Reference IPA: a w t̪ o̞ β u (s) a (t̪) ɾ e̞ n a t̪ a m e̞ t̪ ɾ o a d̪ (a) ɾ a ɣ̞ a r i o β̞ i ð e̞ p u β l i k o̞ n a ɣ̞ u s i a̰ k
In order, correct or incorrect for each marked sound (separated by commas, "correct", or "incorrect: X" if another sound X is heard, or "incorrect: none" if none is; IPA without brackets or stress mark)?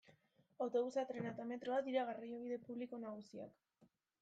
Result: correct, correct, incorrect: i